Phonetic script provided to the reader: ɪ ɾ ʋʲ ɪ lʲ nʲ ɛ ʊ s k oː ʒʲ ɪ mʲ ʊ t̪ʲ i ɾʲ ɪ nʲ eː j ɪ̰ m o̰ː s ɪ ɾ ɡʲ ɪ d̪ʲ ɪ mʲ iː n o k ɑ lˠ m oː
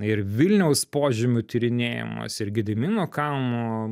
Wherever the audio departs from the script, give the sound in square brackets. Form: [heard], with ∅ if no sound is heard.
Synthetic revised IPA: ɪ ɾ ʋʲ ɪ lʲ nʲ ɛ ʊ s [p] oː ʒʲ ɪ mʲ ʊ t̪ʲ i ɾʲ ɪ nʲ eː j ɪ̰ m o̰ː s ɪ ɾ ɡʲ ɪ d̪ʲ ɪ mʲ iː n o k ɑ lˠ m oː